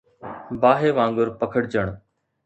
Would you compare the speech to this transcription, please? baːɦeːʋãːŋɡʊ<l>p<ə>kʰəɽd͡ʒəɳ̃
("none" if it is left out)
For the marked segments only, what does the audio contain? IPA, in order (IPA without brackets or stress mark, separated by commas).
ɾ, ə